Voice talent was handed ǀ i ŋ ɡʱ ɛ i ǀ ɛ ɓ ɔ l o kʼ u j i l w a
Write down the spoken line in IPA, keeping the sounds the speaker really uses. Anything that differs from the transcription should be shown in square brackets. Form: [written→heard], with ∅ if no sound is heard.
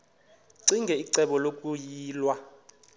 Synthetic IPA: ǀ i ŋ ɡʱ ɛ i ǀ ɛ ɓ ɔ l o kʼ u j [i→iː] l w a